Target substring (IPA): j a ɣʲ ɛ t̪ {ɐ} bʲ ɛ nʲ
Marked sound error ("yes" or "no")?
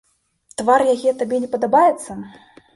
yes